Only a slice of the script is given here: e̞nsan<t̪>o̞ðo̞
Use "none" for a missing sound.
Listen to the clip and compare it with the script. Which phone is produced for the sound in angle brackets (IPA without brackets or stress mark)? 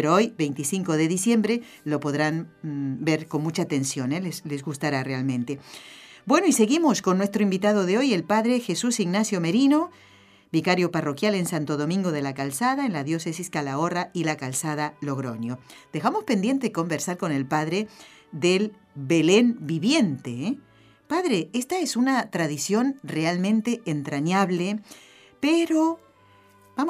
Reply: t̪